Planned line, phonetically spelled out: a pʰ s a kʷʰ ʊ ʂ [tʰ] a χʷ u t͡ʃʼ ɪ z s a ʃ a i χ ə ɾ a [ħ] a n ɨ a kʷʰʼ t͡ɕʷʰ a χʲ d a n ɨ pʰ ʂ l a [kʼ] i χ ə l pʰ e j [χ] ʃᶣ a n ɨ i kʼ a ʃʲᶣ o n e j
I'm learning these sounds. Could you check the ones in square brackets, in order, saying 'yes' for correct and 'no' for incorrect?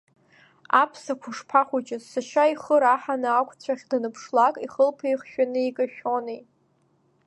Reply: no, yes, yes, yes

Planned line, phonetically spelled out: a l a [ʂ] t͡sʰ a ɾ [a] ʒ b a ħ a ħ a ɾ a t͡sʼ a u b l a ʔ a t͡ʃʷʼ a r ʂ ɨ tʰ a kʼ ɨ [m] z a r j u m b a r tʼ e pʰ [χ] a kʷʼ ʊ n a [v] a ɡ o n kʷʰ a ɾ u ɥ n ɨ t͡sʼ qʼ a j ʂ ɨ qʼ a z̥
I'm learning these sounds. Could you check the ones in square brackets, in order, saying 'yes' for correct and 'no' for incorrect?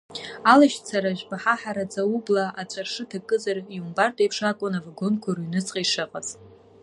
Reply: no, yes, no, no, yes

